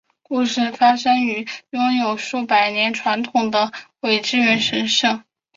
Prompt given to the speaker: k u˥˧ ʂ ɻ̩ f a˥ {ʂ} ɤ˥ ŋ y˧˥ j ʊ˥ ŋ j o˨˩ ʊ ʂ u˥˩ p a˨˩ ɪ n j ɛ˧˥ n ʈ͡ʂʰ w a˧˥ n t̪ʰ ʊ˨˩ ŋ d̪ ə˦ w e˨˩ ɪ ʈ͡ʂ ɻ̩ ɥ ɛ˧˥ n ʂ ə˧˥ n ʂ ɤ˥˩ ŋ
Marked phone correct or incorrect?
correct